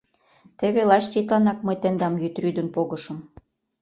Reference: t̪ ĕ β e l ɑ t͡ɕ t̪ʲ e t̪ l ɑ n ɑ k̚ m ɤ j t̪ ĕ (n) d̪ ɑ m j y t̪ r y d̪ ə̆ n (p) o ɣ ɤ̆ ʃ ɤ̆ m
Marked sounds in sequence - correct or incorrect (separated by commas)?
correct, correct